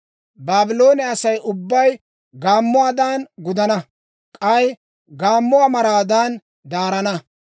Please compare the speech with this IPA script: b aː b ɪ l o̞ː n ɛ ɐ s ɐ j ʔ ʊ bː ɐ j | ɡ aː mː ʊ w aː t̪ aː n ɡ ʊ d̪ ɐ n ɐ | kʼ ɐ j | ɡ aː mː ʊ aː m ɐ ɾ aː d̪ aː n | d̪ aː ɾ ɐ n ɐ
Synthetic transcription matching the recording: b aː b ɪ l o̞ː n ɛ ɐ s ɐ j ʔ ʊ bː ɐ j | ɡ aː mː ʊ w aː d̪ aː n ɡ ʊ d̪ ɐ n ɐ | kʼ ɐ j | ɡ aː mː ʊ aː m ɐ ɾ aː d̪ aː n | d̪ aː ɾ ɐ n ɐ